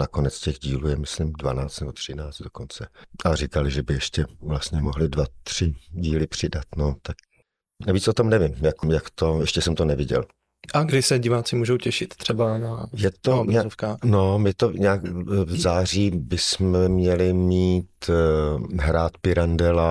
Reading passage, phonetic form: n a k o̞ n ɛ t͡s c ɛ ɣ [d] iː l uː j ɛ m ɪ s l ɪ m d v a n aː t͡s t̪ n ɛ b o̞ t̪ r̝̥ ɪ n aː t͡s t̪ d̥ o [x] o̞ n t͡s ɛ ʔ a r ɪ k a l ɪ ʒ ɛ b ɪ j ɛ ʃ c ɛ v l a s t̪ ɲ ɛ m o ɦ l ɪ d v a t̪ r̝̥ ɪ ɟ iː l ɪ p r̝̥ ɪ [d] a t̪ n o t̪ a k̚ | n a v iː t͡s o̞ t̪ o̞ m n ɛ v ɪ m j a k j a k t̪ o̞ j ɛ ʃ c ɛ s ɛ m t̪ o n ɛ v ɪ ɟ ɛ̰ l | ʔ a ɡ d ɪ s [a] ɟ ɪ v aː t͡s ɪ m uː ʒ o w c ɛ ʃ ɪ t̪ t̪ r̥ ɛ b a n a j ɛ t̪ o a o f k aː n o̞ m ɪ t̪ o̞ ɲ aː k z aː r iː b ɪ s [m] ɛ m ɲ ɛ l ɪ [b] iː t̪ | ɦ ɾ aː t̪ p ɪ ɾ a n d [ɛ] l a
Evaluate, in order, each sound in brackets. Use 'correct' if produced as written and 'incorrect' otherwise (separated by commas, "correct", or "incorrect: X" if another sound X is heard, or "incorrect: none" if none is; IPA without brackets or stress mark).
incorrect: ɟ, incorrect: k, correct, incorrect: ɛ, correct, incorrect: m, correct